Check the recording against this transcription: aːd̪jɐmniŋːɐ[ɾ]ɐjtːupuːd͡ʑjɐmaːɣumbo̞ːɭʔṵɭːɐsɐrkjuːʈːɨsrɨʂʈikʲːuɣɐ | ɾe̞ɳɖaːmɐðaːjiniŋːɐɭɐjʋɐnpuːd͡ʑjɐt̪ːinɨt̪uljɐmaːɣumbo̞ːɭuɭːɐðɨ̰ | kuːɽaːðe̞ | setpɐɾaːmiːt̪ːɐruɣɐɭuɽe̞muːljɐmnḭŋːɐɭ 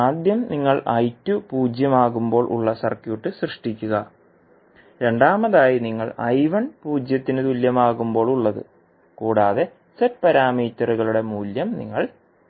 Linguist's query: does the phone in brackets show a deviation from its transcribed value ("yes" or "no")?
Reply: yes